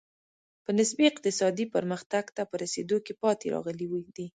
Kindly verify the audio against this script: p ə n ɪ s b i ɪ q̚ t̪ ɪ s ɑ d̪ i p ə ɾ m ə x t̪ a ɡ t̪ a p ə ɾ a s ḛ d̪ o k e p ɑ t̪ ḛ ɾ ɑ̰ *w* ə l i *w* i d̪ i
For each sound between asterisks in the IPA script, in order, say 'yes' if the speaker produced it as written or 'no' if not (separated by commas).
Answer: no, yes